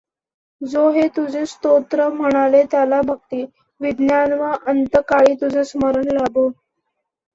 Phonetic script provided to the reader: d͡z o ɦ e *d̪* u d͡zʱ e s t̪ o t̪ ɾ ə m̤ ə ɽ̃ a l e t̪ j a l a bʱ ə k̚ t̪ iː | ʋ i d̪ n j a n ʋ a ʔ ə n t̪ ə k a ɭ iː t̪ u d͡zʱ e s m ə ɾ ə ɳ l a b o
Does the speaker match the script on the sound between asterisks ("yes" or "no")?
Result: no